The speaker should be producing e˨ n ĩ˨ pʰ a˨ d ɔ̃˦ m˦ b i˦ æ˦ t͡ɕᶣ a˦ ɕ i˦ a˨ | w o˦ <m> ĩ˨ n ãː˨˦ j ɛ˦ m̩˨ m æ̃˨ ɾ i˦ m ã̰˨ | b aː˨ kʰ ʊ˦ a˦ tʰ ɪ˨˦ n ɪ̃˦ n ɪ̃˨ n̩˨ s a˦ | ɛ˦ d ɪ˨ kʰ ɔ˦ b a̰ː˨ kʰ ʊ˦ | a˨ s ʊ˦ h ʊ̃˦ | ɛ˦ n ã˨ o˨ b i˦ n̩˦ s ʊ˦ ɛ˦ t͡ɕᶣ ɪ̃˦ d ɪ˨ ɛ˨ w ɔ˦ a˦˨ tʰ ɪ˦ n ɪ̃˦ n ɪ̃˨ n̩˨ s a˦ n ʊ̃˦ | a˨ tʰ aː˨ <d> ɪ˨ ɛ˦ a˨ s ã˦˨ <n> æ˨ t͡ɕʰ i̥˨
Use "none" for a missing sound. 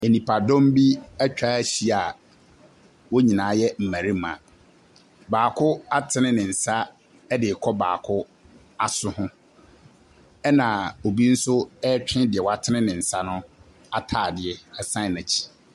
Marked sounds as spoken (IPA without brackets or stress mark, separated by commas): ɲ, d, n